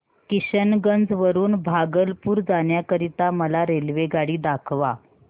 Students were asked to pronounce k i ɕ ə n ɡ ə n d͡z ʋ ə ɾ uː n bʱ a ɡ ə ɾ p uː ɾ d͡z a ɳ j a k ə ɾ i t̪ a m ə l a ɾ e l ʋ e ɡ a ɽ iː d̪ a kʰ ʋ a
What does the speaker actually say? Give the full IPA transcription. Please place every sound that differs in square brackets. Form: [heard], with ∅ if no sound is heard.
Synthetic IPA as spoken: k i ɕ ə n ɡ ə n d͡z ʋ ə ɾ uː n bʱ a ɡ ə [l] p uː ɾ d͡z a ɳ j a k ə ɾ i t̪ a m ə l a ɾ e l ʋ e ɡ a ɽ iː d̪ a kʰ ʋ a